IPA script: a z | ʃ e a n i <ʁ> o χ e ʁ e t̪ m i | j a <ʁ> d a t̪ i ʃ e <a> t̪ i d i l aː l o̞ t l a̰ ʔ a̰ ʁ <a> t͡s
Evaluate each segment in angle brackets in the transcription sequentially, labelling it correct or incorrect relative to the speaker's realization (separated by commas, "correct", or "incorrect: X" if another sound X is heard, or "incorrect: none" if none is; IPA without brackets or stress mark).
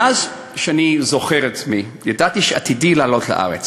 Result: incorrect: z, incorrect: none, correct, incorrect: e